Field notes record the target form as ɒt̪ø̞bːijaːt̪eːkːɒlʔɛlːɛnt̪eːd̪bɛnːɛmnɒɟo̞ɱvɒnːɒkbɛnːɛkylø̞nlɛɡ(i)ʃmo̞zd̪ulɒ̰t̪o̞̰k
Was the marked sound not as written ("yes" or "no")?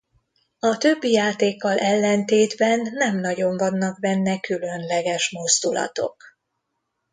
yes